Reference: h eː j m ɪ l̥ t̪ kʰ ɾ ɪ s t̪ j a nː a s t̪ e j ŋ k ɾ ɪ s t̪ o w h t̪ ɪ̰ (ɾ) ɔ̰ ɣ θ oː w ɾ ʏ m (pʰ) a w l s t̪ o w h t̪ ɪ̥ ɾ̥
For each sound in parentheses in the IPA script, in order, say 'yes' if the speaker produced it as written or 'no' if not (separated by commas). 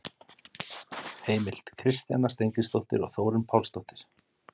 yes, yes